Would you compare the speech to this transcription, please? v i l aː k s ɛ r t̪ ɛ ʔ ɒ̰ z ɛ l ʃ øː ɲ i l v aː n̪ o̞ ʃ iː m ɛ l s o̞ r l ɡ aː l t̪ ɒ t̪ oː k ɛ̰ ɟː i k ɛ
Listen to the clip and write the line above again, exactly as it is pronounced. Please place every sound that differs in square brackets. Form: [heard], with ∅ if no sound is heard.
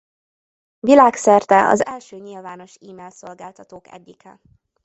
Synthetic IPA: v i l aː k s ɛ r t̪ ɛ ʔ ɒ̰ z ɛ l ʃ øː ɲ i l v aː n̪ o̞ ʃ iː m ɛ l s o̞ [∅] l ɡ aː l t̪ ɒ t̪ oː k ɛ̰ ɟː i k ɛ